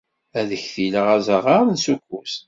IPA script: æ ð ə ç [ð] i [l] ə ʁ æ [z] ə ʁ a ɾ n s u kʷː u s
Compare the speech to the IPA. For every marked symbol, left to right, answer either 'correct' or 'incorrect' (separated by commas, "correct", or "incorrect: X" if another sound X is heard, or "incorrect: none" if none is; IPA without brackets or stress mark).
incorrect: θ, correct, correct